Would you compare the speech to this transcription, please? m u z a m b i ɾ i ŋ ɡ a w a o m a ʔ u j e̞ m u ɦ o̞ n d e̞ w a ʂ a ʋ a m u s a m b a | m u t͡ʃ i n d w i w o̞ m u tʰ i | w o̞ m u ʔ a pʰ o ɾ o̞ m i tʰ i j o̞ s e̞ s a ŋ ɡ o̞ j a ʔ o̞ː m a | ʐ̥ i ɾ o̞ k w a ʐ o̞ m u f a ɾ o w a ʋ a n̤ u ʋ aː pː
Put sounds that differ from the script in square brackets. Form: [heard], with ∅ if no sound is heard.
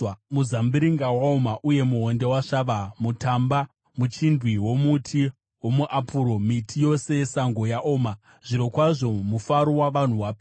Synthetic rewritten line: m u z a m b i ɾ i ŋ ɡ a w a o m a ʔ u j e̞ m u ɦ o̞ n d e̞ w a ʂ a ʋ a m u [t] a m b a | m u t͡ʃ i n d w i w o̞ m u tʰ i | w o̞ m u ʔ a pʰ [u] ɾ o̞ m i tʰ i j o̞ s e̞ s a ŋ ɡ o̞ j a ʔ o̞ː m a | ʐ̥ i ɾ o̞ k w a ʐ o̞ m u f a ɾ o w a ʋ a n̤ u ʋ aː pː